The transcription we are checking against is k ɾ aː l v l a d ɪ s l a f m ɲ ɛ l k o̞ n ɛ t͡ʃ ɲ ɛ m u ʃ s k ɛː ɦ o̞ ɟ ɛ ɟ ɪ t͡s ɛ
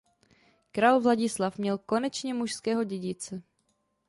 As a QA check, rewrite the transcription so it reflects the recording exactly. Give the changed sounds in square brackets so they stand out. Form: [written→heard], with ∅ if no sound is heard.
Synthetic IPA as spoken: k ɾ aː l v l a [d→ɟ] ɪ s l a f m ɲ ɛ l k o̞ n ɛ t͡ʃ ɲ ɛ m u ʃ s k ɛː ɦ o̞ ɟ ɛ ɟ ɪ t͡s ɛ